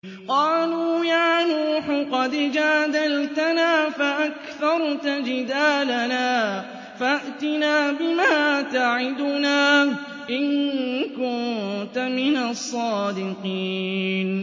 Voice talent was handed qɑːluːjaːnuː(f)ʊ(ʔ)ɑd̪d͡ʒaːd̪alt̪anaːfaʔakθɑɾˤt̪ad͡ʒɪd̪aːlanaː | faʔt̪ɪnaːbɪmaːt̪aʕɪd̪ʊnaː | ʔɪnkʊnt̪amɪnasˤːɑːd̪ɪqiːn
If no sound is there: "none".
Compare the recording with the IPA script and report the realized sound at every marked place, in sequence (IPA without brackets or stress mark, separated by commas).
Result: ħ, q